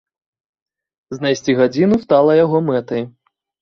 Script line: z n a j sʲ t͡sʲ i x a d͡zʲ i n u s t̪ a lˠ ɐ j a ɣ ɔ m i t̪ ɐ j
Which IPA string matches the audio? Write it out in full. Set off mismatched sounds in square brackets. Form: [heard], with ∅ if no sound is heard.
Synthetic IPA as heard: z n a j sʲ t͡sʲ i [ɣ] a d͡zʲ i n u s t̪ a lˠ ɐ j a ɣ ɔ m [ɛ] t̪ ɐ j